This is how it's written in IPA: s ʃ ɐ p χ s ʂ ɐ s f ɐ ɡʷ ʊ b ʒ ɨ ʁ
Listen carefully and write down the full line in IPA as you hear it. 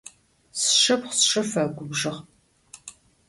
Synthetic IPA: s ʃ ɐ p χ s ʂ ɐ f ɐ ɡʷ ʊ b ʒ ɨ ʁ